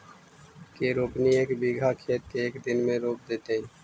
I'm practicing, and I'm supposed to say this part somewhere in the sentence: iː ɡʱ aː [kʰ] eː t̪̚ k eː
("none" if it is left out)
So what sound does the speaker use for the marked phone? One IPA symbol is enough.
kʰ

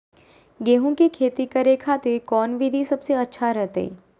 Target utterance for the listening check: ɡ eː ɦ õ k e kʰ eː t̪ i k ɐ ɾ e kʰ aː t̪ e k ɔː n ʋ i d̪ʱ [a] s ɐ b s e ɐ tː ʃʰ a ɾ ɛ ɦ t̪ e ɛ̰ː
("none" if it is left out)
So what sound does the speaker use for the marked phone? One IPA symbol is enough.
i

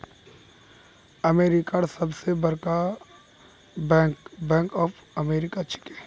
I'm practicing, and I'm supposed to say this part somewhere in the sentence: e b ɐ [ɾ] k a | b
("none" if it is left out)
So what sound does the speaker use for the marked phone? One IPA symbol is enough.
ɾ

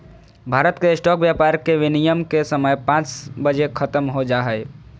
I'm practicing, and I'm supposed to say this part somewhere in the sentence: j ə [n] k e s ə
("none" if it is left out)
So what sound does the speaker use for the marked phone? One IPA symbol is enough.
m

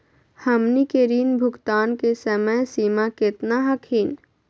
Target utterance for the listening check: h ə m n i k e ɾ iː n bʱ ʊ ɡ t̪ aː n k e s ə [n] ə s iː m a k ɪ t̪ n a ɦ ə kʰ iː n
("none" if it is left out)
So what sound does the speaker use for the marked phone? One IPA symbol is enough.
m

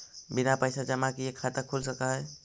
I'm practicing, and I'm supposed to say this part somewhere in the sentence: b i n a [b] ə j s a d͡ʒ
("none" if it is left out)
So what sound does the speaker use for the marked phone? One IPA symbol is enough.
p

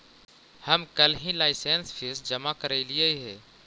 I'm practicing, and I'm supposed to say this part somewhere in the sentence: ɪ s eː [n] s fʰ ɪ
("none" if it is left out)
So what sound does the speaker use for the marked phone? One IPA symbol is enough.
n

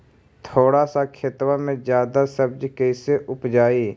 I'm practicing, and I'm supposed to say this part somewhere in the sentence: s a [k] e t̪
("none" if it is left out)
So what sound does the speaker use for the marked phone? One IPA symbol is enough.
kʰ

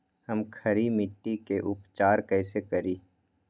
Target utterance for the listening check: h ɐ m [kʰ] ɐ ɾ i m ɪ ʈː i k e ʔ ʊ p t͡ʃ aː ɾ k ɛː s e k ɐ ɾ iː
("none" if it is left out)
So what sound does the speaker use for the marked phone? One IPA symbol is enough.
kʰ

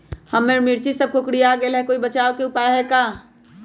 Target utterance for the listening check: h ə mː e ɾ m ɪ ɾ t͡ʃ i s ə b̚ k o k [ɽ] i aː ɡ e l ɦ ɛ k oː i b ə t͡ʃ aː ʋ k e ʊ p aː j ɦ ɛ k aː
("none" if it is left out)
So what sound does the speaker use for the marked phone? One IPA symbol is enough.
ɽ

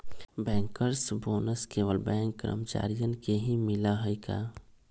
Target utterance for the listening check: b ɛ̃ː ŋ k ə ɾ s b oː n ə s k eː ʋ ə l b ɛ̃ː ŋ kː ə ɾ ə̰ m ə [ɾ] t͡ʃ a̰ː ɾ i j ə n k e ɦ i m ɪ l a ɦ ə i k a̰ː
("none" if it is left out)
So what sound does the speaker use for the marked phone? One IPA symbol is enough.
none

